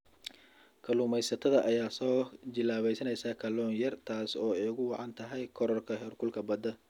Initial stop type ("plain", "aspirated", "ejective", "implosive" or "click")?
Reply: aspirated